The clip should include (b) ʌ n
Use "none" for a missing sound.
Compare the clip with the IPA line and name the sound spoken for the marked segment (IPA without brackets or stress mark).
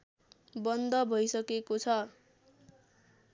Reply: b